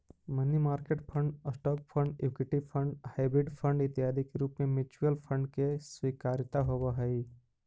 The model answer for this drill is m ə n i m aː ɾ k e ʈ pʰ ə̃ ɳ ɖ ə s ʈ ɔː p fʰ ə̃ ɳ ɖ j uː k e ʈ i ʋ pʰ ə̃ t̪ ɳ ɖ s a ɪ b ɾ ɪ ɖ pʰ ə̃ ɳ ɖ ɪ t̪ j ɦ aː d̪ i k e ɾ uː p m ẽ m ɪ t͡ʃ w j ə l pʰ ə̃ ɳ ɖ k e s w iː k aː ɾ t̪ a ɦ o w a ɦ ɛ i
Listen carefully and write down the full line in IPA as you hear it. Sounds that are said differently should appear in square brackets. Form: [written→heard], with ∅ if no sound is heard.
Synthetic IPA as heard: m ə n i m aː ɾ k e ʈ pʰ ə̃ ɳ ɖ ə s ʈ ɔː p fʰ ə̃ ɳ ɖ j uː k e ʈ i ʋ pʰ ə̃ [t̪→∅] ɳ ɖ [s→h] a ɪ b ɾ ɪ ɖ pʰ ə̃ ɳ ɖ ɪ t̪ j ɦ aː d̪ i k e ɾ uː p m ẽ m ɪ t͡ʃ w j ə l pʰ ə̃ ɳ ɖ k e s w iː k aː ɾ t̪ a ɦ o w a ɦ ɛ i